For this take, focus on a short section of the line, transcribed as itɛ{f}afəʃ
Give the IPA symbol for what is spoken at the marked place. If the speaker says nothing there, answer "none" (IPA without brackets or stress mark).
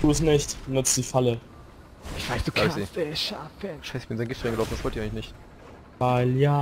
ʃ